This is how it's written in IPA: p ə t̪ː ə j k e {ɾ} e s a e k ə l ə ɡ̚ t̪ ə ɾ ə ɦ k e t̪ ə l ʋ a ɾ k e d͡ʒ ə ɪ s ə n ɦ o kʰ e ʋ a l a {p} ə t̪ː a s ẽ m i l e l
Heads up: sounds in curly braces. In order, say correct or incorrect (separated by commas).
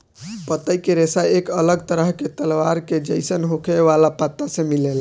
correct, correct